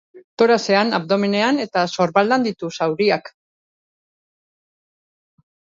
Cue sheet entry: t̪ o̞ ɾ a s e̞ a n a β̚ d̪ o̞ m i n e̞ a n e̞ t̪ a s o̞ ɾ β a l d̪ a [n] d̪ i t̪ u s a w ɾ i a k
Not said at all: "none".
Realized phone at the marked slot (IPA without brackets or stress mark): n